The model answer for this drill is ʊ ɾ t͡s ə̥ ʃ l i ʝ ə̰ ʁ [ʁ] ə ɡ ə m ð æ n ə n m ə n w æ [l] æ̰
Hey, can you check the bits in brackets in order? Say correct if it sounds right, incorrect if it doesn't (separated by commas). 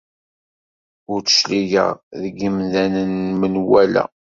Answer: incorrect, correct